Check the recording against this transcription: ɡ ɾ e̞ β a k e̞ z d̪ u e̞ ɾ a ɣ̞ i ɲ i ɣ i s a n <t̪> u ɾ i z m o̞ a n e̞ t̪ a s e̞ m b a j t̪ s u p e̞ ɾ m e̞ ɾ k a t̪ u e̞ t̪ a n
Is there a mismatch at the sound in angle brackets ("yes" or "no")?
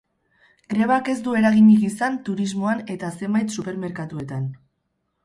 no